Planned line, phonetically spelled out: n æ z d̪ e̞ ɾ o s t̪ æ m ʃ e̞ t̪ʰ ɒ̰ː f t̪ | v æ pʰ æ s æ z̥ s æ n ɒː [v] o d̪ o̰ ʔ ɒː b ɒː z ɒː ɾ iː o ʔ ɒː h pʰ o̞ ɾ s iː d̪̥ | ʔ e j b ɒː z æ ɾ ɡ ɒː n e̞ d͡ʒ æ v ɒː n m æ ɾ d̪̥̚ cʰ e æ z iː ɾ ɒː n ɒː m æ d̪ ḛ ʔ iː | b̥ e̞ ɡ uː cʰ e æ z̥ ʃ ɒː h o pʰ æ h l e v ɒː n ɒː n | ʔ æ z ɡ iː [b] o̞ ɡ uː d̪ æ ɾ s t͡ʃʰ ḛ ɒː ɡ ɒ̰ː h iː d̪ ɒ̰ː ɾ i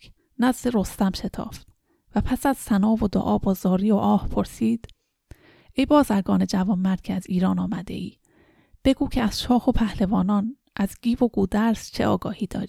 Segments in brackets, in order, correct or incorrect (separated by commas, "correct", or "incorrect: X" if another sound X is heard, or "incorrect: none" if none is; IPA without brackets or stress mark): correct, incorrect: v